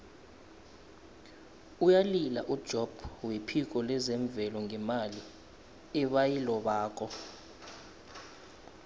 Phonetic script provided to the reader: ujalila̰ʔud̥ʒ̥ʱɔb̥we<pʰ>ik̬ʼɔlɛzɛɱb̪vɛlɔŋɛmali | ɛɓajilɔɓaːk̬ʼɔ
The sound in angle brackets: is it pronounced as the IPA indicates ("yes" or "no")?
yes